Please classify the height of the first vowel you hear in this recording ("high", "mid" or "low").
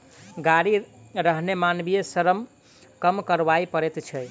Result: low